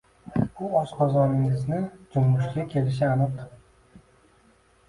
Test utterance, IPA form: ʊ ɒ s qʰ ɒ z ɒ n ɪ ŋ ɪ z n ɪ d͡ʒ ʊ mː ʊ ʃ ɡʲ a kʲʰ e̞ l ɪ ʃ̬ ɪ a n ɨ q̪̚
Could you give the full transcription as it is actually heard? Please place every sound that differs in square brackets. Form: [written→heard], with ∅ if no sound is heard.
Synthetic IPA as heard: ʊ ɒ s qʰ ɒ z ɒ n ɪ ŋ ɪ z n ɪ d͡ʒ ʊ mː ʊ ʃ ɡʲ a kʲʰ e̞ l ɪ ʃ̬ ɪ a n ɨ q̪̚